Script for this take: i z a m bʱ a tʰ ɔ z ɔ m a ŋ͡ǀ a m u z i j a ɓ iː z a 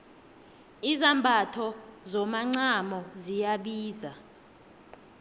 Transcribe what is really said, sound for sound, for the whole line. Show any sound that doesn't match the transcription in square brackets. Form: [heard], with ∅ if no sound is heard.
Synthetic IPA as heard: i z a m bʱ a tʰ ɔ z ɔ m a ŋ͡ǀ a m [ɔ] z i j a ɓ iː z a